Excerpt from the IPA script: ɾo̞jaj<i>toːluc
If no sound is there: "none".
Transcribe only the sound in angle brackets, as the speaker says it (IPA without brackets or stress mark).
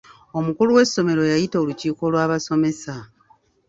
i